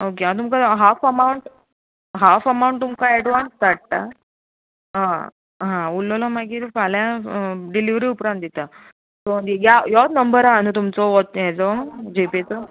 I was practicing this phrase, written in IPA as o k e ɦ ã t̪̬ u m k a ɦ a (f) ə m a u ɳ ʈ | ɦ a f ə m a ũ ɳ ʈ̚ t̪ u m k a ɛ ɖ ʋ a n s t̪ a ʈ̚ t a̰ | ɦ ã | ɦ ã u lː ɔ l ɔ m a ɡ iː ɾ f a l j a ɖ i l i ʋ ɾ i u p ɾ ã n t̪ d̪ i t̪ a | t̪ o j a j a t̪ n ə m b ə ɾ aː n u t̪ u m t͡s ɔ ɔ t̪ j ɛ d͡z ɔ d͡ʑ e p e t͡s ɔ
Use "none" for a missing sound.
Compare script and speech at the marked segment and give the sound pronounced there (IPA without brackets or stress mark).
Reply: f